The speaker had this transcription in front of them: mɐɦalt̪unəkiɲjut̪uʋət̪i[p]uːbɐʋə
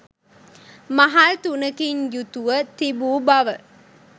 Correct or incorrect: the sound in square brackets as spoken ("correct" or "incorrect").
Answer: incorrect